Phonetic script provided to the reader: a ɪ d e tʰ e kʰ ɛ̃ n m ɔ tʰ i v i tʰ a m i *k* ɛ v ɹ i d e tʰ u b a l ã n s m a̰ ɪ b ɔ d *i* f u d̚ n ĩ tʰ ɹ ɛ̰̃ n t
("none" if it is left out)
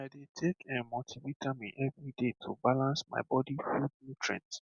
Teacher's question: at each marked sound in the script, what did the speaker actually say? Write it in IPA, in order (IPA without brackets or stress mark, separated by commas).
ʔ, i